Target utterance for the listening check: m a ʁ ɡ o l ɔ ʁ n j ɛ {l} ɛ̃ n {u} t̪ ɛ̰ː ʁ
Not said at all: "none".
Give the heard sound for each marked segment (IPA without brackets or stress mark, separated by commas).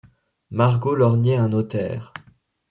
none, o